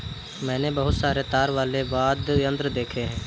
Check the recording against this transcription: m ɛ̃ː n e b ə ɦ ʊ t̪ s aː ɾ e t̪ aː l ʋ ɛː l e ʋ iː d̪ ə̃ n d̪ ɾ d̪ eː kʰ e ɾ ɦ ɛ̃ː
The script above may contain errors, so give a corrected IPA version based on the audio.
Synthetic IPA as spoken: m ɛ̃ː n e b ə ɦ ʊ t̪ s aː ɾ e t̪ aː ɾ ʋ aː l e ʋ aː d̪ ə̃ n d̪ ɾ d̪ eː kʰ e ɦ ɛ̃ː

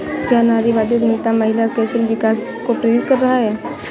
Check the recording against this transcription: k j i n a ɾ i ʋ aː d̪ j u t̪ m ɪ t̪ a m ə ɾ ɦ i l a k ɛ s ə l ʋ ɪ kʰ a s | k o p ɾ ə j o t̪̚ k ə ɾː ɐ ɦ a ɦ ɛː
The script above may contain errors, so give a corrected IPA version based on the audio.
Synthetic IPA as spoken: k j a n a ɾ i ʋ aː d̪ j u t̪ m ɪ t̪ a m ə ɦ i l a k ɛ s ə l ʋ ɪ k a s | k o p ɾ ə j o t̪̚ k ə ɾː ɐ ɦ a ɦ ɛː

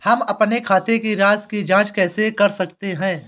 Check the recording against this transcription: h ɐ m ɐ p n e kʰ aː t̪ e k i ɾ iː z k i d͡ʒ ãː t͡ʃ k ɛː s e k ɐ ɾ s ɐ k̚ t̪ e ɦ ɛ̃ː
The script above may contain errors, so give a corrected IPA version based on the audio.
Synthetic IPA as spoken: h ɐ m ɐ p n e kʰ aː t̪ e k i ɾ aː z k i d͡ʒ ãː t͡ʃ k ɛː s e k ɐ ɾ s ɐ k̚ t̪ e ɦ ɛ̃ː

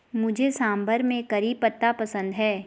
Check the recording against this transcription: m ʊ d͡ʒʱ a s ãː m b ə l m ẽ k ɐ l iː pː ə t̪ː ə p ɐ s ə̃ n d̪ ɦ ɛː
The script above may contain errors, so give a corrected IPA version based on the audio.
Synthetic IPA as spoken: m ʊ d͡ʒʱ e s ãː m b ə ɾ m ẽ k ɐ ɾ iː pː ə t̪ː a p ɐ s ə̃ n d̪ ɦ ɛː

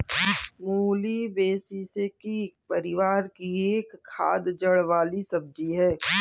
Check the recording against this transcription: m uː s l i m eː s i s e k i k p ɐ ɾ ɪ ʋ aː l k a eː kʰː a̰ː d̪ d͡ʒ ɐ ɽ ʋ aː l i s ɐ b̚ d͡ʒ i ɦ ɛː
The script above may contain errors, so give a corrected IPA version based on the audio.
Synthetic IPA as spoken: m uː l i b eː s i s e k i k p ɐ ɾ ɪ ʋ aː ɾ k i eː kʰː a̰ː d̪ d͡ʒ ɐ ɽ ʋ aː l i s ɐ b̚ d͡ʒ i ɦ ɛː

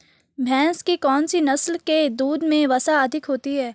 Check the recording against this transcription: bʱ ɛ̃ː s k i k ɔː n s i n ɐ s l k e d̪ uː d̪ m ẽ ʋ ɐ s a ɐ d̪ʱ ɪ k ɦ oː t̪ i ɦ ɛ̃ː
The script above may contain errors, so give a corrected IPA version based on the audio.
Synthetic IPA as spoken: bʱ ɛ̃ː s k i k ɔː n s i n ɐ s l k e d̪ uː d̪ m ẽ ʋ ɐ s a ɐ d̪ʱ ɪ k ɦ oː t̪ i ɦ ɛː

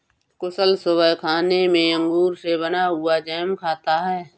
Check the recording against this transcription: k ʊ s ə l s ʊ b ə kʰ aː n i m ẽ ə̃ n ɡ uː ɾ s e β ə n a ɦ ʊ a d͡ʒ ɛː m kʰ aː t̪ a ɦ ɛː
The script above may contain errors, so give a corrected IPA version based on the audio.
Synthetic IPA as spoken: k ʊ s ə l s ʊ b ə kʰ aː n e m ẽ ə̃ ŋ ɡ uː ɾ s e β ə n a ɦ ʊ a d͡ʒ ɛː m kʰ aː t̪ a ɦ ɛː

